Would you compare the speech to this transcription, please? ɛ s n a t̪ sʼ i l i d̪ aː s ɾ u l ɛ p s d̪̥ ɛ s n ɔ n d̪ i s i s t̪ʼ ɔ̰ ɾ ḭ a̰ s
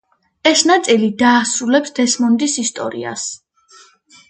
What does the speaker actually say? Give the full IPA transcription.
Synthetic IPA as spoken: ɛ s n a t̪ sʼ i l i d̪ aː s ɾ u l ɛ p s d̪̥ ɛ s m ɔ n d̪ i s i s t̪ʼ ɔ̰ ɾ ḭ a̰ s